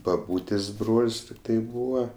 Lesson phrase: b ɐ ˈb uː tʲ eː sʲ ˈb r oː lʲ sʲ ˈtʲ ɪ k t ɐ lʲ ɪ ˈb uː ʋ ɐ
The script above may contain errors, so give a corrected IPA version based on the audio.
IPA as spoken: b ɐ ˈb uː tʲ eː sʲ ˈb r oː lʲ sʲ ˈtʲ ɪ k t ɐ ɪ ˈb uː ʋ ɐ